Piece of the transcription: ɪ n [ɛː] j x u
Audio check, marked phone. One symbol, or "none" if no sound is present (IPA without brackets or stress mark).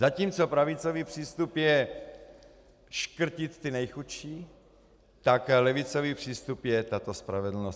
ɛ